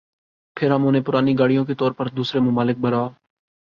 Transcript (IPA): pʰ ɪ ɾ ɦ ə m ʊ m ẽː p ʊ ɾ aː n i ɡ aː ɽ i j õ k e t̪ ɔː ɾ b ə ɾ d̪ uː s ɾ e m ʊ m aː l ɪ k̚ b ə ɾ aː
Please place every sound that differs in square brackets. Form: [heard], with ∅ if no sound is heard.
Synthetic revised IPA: pʰ ɪ ɾ ɦ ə m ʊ [n] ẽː p ʊ ɾ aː n i ɡ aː ɽ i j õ k e t̪ ɔː ɾ [p] ə ɾ d̪ uː s ɾ e m ʊ m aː l ɪ k̚ b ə ɾ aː